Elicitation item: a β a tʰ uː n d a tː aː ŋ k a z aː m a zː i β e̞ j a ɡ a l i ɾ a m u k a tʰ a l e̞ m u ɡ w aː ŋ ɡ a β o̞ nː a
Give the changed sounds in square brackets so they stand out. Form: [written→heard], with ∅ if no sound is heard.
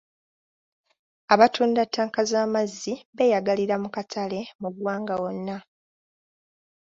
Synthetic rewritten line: a β a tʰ uː n d a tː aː ŋ k a z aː m a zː i β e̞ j a ɡ a l i ɾ a m u k a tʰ a l e̞ m u ɡ w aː ŋ ɡ a [β→w] o̞ nː a